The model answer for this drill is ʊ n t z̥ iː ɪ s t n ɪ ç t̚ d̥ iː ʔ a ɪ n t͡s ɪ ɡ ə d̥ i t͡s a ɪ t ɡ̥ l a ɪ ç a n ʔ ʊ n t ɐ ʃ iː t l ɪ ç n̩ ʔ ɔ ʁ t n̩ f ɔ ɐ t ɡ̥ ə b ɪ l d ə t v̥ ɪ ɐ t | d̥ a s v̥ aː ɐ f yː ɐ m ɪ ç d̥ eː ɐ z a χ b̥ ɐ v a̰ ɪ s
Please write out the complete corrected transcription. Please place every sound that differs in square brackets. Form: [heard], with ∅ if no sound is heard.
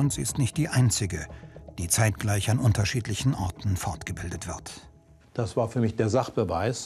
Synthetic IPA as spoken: ʊ n t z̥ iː ɪ s t n ɪ ç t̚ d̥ iː ʔ a ɪ n t͡s ɪ ɡ ə d̥ [iː] t͡s a ɪ t ɡ̥ l a ɪ ç a n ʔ ʊ n t ɐ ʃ iː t l ɪ ç n̩ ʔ ɔ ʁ t n̩ f ɔ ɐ t ɡ̥ ə b ɪ l d ə t v̥ ɪ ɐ t | d̥ a s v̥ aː ɐ f yː ɐ m ɪ ç d̥ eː ɐ z a χ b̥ [ə] v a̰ ɪ s